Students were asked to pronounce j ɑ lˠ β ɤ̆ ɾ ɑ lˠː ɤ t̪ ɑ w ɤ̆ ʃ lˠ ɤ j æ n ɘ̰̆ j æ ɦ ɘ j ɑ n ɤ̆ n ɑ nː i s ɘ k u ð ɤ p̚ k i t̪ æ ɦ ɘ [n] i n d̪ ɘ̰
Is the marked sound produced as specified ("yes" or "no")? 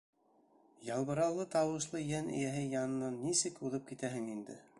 no